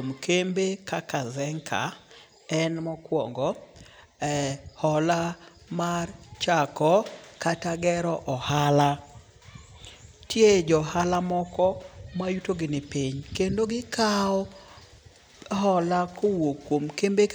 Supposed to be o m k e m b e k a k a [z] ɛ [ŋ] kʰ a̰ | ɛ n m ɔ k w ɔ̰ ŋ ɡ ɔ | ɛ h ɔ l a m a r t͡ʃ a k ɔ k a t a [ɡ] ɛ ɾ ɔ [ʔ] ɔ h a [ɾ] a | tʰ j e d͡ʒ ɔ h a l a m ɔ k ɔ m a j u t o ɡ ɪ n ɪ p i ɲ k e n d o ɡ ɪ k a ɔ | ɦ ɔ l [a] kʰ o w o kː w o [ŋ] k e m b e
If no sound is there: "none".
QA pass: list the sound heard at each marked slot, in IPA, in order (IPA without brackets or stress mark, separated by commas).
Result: z, ŋ, ɡ, ʔ, l, a, m